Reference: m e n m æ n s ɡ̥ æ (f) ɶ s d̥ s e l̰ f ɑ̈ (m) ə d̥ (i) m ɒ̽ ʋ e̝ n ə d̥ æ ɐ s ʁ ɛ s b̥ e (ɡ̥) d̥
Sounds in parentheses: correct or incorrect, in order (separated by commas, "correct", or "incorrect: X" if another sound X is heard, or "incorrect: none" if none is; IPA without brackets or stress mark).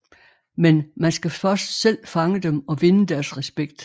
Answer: correct, incorrect: ŋ, incorrect: e, correct